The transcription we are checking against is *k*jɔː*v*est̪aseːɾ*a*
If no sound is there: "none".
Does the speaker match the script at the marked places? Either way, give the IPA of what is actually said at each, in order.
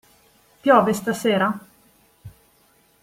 p, v, a

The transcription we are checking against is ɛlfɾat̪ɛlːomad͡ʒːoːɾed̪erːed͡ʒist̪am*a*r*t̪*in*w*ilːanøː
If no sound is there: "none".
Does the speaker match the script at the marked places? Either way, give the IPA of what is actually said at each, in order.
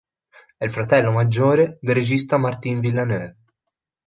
a, t̪, v

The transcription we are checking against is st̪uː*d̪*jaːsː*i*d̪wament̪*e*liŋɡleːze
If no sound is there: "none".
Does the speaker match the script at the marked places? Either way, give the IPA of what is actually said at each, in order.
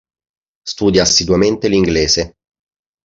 d̪, i, e

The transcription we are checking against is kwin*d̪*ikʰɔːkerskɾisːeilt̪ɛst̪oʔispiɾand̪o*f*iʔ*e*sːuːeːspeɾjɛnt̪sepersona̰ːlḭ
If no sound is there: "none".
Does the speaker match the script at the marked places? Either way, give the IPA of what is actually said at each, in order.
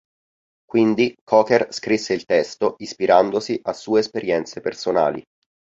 d̪, s, a

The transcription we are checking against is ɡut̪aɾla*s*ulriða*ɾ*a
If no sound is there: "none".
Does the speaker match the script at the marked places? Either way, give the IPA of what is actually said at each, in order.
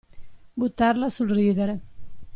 s, ɾ

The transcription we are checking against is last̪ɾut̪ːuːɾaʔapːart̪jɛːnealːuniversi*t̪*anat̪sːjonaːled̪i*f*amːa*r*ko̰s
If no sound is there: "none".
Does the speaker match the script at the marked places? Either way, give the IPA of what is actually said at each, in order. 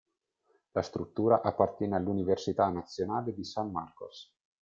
t̪, s, r

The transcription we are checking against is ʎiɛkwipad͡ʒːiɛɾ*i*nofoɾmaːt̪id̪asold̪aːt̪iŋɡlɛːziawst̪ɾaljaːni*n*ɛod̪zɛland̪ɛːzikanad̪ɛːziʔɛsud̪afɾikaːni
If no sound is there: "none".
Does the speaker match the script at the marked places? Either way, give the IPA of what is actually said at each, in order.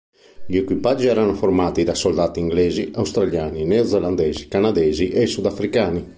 a, n

